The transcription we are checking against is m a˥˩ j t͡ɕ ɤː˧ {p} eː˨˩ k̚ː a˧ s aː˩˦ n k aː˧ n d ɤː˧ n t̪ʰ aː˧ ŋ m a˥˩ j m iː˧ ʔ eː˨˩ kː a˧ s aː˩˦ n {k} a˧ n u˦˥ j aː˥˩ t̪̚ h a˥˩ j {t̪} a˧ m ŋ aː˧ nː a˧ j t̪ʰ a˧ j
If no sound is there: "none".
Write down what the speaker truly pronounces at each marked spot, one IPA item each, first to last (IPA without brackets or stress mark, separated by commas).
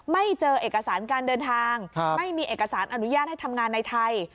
ʔ, ʔ, t̪ʰ